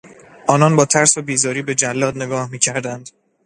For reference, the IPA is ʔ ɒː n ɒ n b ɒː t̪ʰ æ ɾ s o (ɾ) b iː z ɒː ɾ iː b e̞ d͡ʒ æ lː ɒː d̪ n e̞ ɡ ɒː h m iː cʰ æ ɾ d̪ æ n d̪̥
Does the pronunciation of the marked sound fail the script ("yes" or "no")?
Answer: yes